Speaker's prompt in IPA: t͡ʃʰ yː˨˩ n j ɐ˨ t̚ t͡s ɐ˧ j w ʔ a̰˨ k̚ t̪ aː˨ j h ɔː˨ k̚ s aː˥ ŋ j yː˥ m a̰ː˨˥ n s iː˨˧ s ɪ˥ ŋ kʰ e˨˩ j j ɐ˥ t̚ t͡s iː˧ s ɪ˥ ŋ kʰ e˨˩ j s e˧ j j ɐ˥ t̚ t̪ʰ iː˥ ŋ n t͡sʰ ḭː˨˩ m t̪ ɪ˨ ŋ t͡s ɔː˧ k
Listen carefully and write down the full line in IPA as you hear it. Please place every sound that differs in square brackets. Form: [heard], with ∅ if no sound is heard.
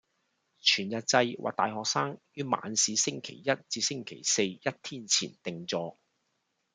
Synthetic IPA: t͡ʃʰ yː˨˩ n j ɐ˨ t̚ t͡s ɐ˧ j w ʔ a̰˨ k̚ t̪ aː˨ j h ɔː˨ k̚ s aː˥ ŋ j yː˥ m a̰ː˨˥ n s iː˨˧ s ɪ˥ ŋ kʰ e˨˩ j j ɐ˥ t̚ t͡s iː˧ s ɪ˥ ŋ kʰ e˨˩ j s e˧ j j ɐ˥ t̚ t̪ʰ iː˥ [∅] n t͡sʰ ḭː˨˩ [n] t̪ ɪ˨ ŋ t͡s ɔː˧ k